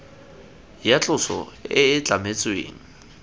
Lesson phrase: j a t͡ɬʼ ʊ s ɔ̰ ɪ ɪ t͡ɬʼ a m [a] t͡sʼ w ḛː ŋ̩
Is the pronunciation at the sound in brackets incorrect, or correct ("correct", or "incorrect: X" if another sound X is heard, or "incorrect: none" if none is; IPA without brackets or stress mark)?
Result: incorrect: e